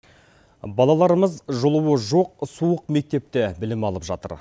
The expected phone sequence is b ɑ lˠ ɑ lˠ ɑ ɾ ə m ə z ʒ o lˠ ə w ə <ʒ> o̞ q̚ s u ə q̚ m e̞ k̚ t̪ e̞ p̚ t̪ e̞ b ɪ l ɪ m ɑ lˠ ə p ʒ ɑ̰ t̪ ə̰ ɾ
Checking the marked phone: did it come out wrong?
no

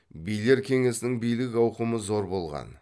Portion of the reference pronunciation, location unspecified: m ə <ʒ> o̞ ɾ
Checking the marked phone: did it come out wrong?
yes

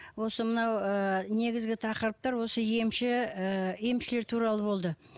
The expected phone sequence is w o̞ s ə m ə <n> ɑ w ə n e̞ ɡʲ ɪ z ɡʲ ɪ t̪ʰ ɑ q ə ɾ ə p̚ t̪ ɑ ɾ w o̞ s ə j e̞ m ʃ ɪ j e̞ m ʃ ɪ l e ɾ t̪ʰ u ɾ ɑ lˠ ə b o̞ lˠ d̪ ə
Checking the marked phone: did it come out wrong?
no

